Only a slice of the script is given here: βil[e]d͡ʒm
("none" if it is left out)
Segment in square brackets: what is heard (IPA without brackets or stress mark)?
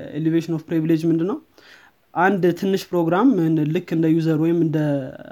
e